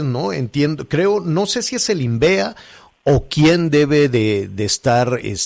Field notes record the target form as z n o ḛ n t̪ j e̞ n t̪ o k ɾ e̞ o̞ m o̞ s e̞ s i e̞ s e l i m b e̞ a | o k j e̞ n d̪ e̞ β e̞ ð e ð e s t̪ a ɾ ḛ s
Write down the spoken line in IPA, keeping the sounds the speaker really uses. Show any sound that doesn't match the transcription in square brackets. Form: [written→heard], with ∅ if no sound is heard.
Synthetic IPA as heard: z n o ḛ n t̪ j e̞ n [t̪→d̪] o k ɾ e̞ o̞ [m→n] o̞ s e̞ s i e̞ s e l i m b e̞ a | o k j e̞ n d̪ e̞ β e̞ ð e ð e s t̪ a ɾ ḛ s